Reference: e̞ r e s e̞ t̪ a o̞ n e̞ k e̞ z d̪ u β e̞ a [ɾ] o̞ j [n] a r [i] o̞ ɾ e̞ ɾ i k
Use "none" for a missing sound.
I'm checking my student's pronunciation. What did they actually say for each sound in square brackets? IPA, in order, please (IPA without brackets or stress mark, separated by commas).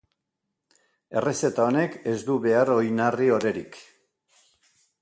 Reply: ɾ, n, i